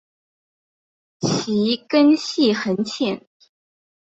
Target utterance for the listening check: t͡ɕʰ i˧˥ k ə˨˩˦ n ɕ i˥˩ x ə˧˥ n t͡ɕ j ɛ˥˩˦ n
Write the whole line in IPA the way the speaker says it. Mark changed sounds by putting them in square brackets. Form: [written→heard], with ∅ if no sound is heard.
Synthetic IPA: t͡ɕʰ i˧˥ k [ə˨˩˦→ə˥] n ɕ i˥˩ x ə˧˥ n [t͡ɕ→t͡ɕʰ] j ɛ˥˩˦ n